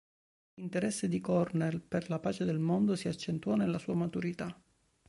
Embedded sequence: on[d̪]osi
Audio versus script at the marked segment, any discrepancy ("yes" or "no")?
no